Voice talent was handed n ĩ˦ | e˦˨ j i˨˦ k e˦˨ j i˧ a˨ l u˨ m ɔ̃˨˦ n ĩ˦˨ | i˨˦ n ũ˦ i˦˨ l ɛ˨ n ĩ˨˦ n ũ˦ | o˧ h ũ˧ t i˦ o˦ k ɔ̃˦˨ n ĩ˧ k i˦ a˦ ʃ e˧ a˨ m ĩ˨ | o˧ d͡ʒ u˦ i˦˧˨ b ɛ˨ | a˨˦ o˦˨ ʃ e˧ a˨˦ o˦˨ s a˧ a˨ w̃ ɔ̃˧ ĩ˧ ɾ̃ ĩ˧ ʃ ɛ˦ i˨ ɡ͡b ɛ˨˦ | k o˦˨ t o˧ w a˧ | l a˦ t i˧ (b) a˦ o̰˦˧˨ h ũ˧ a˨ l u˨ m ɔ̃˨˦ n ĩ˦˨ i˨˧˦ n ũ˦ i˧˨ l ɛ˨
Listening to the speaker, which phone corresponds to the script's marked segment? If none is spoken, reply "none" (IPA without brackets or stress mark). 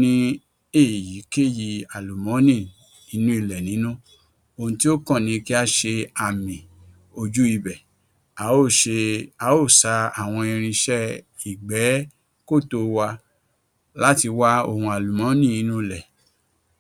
w